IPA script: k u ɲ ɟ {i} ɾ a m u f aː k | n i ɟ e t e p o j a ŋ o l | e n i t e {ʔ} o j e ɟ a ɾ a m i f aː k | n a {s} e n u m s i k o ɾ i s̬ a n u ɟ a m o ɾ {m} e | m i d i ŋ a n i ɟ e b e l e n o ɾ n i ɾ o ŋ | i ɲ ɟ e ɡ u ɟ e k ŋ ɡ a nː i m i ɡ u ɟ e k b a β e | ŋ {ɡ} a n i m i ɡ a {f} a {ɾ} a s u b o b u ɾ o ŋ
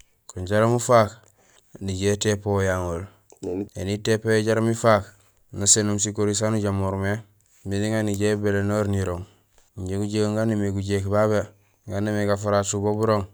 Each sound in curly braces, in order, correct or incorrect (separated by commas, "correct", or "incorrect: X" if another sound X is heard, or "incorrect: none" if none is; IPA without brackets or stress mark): incorrect: a, incorrect: p, correct, correct, correct, correct, correct